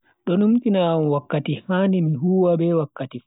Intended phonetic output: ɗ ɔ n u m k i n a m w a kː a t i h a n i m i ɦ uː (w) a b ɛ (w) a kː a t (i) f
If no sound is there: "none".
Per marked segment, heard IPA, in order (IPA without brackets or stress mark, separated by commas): w, w, i